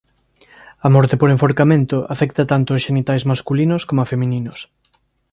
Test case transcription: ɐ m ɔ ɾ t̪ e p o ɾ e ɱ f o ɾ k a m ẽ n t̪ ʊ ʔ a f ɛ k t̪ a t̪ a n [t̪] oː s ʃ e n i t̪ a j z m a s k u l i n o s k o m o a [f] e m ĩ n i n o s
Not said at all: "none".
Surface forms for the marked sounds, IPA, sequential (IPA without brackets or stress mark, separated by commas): t̪, f